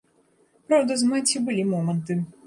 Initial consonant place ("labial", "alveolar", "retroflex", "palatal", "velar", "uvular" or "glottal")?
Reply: labial